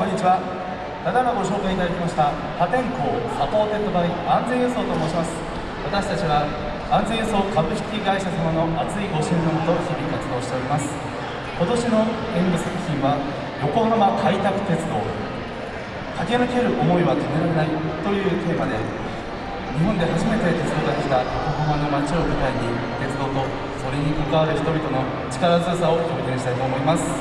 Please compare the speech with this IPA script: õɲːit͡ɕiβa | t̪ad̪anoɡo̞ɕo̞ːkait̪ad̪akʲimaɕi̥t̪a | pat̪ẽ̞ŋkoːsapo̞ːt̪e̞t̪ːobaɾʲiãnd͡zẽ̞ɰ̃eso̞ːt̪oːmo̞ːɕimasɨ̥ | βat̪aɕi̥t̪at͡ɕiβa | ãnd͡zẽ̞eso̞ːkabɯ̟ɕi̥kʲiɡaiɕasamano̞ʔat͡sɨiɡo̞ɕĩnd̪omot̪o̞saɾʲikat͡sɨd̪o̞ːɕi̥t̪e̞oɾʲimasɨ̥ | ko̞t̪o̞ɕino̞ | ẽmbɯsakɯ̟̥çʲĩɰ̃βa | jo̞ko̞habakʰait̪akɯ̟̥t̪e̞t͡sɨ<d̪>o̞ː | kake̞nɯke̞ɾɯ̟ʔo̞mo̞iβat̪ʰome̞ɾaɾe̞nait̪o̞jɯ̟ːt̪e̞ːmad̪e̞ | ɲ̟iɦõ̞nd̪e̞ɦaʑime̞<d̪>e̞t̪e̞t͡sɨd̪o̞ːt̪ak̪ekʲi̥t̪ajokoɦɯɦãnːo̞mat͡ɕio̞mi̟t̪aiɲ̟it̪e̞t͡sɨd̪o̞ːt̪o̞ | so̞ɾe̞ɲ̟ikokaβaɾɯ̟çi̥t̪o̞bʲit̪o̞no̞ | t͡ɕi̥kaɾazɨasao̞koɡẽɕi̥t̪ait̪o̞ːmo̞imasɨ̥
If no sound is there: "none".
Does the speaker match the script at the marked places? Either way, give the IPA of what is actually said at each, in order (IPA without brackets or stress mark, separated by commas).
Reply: d̪, t̪